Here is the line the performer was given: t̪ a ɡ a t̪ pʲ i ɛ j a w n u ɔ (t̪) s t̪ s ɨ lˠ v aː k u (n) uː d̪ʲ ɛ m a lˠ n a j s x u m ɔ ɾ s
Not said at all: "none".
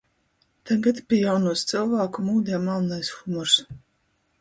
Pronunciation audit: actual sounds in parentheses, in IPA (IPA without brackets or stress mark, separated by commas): none, m